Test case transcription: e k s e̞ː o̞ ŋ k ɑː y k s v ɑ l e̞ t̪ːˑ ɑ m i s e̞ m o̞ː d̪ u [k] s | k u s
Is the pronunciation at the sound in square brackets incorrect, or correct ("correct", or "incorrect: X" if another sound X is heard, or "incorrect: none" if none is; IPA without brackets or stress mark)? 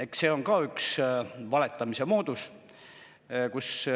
incorrect: none